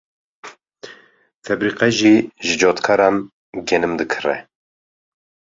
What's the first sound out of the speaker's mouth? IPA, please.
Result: f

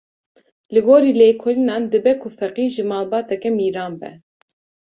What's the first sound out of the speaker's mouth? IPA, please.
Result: l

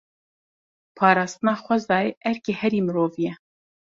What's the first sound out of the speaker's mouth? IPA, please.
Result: pʰ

